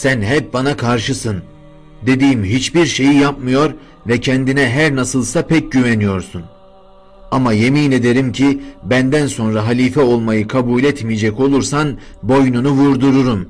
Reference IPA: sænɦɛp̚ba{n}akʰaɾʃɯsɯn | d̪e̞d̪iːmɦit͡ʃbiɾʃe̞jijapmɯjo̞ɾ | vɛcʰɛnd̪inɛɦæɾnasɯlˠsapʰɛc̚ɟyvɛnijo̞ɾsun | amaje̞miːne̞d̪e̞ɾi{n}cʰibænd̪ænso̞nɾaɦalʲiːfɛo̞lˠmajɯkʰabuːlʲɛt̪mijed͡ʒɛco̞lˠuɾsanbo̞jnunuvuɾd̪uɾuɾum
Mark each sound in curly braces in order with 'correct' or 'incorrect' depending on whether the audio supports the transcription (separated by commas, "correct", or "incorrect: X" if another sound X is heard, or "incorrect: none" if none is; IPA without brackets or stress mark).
correct, incorrect: m